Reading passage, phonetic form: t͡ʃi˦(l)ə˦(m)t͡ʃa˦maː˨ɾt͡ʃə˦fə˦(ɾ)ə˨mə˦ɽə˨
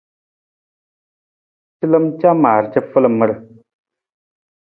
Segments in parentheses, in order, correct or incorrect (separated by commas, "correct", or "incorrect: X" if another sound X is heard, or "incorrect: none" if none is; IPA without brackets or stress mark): correct, correct, incorrect: l